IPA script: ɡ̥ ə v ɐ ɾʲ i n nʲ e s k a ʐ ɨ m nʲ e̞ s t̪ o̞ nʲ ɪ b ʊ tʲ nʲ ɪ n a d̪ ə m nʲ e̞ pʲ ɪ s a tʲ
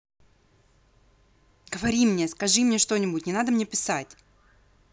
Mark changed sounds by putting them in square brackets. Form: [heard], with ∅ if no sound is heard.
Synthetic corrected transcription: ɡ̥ ə v ɐ ɾʲ i [m] nʲ e s k [ɐ] ʐ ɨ m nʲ e̞ [ʂ] t̪ o̞ nʲ ɪ b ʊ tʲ nʲ ɪ n a d̪ ə m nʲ e̞ pʲ ɪ s a tʲ